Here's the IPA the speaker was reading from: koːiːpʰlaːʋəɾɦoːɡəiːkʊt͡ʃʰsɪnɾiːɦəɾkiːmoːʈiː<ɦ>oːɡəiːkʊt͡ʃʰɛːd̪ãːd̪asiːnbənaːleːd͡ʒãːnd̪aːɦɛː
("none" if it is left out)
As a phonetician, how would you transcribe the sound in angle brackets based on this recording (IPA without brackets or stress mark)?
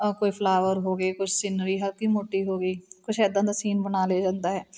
ɦ